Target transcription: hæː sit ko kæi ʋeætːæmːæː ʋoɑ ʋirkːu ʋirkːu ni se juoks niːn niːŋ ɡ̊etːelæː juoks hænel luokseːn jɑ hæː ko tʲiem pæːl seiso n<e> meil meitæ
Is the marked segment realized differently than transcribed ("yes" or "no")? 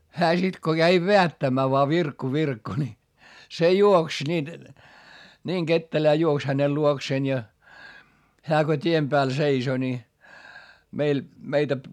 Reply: yes